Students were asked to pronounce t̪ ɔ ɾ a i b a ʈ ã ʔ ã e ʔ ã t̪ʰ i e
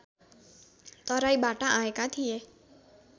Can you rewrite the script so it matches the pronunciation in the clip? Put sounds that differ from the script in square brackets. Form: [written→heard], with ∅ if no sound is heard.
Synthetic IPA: t̪ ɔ ɾ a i b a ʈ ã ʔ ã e [ʔ→k] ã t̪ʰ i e